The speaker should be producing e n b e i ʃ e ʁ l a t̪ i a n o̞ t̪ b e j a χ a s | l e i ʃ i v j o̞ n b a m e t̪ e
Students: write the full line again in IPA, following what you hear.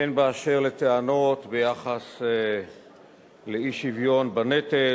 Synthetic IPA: e n b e a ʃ e ʁ l e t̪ e a n o̞ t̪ b e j a χ a s | l e i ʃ i v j o̞ n b a n e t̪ e